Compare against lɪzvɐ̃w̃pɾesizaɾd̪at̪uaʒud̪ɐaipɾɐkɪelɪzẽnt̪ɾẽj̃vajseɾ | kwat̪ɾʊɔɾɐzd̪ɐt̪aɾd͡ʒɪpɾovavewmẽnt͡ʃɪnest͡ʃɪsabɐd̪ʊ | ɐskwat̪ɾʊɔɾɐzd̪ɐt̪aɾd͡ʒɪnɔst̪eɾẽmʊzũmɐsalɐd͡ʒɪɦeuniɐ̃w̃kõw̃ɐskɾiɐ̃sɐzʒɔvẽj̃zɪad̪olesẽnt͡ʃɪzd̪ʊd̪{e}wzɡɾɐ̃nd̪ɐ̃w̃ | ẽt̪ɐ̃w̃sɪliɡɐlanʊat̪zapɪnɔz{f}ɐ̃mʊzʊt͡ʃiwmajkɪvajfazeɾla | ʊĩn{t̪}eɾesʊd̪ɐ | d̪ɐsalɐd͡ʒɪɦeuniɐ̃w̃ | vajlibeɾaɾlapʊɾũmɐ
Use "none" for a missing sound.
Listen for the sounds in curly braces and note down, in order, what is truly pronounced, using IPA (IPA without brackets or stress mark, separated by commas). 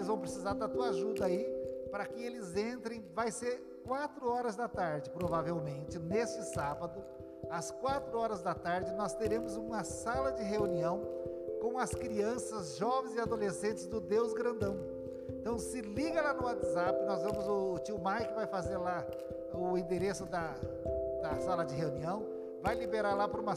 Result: e, v, d̪